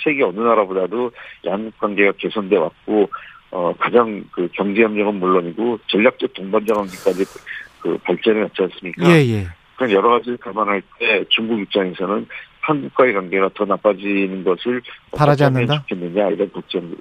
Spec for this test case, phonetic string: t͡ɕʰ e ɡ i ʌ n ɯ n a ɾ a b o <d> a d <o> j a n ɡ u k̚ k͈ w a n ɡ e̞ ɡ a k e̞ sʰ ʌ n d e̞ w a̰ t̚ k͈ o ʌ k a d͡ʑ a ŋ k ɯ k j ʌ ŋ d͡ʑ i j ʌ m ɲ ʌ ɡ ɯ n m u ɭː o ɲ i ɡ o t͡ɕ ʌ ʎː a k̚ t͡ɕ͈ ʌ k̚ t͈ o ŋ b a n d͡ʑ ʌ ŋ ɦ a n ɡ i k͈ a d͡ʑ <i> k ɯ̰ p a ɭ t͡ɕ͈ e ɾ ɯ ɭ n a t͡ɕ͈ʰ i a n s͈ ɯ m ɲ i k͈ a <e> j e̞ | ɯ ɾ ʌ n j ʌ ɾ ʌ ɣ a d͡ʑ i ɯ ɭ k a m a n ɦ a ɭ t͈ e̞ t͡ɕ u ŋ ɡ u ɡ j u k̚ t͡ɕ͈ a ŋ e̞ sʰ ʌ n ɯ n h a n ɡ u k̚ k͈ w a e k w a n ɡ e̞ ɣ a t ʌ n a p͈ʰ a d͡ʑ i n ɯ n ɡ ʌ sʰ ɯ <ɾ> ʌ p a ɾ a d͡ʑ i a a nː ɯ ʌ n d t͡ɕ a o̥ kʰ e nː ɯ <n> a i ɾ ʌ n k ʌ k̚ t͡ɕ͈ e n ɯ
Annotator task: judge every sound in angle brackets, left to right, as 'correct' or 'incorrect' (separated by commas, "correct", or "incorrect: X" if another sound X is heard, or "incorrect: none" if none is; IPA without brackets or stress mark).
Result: correct, correct, correct, correct, incorrect: ɭ, incorrect: ɲ